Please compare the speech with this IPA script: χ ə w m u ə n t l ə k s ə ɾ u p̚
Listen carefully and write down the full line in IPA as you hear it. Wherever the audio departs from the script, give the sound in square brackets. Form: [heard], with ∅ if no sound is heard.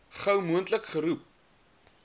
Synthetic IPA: χ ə w m u ə n t l ə k [χ] ə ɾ u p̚